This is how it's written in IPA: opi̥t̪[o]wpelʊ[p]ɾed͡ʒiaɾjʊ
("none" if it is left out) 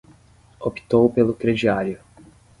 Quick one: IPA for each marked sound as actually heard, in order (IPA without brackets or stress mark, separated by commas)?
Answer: o, k